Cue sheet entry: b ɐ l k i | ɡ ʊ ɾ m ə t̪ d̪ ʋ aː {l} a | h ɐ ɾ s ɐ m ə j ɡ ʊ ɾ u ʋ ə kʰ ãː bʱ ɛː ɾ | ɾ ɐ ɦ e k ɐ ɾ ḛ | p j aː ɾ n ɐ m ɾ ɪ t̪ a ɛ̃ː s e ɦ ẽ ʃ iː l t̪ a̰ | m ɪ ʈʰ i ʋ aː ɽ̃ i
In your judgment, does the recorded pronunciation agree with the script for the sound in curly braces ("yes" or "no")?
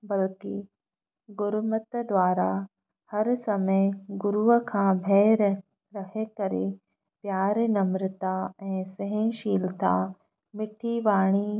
no